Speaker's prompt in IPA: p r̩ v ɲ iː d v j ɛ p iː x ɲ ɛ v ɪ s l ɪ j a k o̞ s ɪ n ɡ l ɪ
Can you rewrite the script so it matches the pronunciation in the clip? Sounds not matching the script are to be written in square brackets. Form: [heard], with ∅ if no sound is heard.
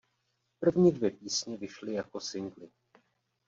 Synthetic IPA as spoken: p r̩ v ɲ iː d v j ɛ p iː [s] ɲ ɛ v ɪ [ʃ] l ɪ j a k o̞ s ɪ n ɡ l ɪ